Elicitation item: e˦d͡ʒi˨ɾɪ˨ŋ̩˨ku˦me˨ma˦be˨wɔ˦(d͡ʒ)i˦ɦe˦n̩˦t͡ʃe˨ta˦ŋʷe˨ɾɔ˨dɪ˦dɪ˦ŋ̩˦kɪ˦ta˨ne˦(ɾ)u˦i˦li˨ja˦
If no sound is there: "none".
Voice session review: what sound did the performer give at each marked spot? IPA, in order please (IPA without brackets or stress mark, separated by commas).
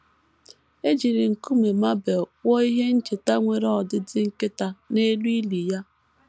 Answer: none, l